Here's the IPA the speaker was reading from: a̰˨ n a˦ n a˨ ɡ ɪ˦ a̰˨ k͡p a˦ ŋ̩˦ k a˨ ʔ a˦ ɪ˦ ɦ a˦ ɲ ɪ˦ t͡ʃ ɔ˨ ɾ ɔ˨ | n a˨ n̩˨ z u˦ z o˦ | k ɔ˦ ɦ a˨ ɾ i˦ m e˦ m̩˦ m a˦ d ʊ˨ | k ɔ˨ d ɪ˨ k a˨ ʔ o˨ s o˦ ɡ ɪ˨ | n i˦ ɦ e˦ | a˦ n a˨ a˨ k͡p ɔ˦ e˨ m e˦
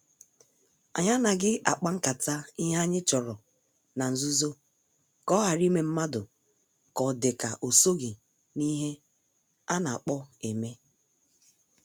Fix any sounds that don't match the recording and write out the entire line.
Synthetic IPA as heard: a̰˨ ɲ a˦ n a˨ ɡ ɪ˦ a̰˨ k͡p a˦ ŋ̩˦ k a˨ t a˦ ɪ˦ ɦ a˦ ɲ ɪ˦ t͡ʃ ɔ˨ ɾ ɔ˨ | n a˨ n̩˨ z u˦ z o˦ | k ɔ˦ ɦ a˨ ɾ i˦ m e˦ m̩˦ m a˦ d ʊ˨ | k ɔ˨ d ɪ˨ k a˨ ʔ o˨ s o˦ ɡ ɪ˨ | n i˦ ɦ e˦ | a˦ n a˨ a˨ k͡p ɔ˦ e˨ m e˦

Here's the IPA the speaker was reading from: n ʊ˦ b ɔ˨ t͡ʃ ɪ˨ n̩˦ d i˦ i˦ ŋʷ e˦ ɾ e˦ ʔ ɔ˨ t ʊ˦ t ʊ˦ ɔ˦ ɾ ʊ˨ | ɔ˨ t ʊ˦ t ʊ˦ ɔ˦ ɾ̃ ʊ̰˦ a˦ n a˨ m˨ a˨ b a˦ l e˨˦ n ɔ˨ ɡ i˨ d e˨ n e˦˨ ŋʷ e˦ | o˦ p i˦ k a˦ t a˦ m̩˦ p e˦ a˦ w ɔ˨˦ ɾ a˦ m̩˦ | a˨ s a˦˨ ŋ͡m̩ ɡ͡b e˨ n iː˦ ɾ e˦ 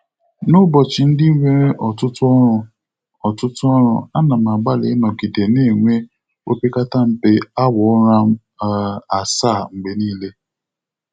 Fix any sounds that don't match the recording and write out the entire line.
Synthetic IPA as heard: n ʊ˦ b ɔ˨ t͡ʃ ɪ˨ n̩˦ d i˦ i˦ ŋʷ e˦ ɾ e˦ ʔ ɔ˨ t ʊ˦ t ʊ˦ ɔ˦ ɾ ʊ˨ | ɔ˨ t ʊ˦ t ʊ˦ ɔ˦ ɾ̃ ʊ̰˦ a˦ n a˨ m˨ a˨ ɡ͡b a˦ l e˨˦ n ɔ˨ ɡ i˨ d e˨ n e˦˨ ŋʷ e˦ | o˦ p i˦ k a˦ t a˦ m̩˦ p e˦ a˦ w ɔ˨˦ ɾ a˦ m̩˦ | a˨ s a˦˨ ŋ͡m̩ ɡ͡b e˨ n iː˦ l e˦

